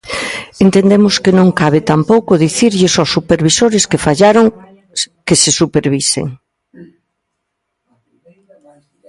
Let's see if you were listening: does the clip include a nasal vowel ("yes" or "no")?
yes